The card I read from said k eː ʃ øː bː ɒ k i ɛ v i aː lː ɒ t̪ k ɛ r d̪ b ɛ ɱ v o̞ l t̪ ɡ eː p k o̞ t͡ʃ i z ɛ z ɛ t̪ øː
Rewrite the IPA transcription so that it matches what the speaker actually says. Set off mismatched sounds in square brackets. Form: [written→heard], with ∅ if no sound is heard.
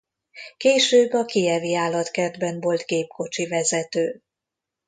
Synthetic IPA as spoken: k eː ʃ øː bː ɒ k i ɛ v i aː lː ɒ t̪ k ɛ r d̪ b ɛ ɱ v o̞ l t̪ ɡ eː p k o̞ t͡ʃ i [z→v] ɛ z ɛ t̪ øː